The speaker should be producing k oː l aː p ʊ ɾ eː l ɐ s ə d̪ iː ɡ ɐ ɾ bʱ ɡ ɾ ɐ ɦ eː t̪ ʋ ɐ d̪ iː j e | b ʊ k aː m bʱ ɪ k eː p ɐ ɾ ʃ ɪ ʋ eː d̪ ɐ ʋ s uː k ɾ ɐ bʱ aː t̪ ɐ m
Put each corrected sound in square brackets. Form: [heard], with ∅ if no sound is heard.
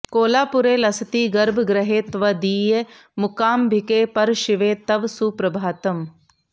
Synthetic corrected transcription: k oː l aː p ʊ ɾ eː l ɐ s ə [t̪] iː ɡ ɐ ɾ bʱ ɡ ɾ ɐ ɦ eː t̪ ʋ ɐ d̪ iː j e | [m] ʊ k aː m bʱ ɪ k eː p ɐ ɾ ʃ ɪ ʋ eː [t̪] ɐ ʋ s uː [p] ɾ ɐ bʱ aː t̪ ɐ m